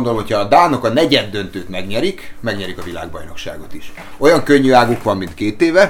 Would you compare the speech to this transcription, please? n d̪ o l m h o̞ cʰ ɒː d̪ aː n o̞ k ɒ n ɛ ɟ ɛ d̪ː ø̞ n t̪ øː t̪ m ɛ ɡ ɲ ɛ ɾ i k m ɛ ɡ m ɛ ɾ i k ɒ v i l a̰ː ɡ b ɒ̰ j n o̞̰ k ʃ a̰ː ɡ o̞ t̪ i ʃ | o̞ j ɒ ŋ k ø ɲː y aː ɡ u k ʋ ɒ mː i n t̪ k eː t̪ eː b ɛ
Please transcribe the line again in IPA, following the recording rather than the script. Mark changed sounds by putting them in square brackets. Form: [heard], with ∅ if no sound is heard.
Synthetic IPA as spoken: n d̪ o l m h o̞ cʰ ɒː d̪ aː n o̞ k ɒ n ɛ ɟ ɛ d̪ː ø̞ n t̪ øː t̪ m ɛ ɡ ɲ ɛ ɾ i k m ɛ ɡ [ɲ] ɛ ɾ i k ɒ v i l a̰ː ɡ b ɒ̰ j n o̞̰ k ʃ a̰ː ɡ o̞ t̪ i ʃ | o̞ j ɒ ŋ k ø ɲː y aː ɡ u k ʋ ɒ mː i n t̪ k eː t̪ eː [v] ɛ